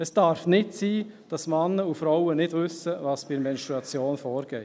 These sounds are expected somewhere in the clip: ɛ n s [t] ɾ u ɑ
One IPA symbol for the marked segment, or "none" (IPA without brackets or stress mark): t